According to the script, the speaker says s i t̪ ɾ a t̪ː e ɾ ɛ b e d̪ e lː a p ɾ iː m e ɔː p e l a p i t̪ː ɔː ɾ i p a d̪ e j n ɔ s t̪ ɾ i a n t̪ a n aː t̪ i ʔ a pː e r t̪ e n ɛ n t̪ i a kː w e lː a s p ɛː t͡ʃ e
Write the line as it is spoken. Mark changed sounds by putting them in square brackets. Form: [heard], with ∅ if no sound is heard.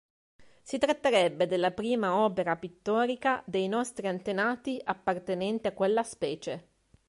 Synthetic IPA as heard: s i t̪ ɾ a t̪ː e ɾ ɛ [bː] e d̪ e lː a p ɾ iː m [a] ɔː p e [ɾ] a p i t̪ː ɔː ɾ i [k] a d̪ e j n ɔ s t̪ ɾ i a n t̪ [e] n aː t̪ i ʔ a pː [a] r t̪ e n ɛ n t̪ i a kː w e lː a s p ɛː t͡ʃ e